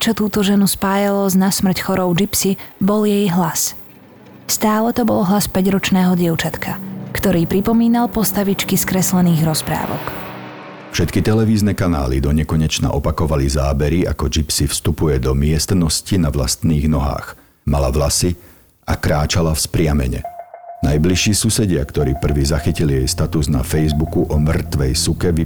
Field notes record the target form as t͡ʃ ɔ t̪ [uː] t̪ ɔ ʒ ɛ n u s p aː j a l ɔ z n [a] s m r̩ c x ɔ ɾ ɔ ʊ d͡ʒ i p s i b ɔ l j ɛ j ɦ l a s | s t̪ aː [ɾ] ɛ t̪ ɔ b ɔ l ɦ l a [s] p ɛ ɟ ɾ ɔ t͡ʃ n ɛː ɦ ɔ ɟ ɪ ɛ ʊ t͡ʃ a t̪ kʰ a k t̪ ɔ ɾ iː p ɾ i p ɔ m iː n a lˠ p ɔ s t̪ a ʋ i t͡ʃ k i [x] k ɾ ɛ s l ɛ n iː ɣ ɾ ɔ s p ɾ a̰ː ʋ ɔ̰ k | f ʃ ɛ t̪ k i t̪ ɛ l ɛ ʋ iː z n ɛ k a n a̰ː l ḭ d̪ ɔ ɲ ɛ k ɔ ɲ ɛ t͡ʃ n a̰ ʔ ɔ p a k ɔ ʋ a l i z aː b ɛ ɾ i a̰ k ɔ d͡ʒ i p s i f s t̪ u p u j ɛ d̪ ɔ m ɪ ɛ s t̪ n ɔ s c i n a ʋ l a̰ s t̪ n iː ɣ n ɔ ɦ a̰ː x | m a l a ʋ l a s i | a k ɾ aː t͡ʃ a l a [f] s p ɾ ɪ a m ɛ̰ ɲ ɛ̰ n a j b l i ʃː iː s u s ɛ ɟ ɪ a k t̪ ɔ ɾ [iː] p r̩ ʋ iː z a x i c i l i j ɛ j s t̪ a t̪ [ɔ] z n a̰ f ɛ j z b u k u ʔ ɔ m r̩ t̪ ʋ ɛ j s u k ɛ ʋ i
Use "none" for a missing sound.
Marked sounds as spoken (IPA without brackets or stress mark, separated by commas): uː, a, l, s, s, f, iː, u